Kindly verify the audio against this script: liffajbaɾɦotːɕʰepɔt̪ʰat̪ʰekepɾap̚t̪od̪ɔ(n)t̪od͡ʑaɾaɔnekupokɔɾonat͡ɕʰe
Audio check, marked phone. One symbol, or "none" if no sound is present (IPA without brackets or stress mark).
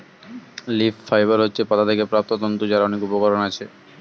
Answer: n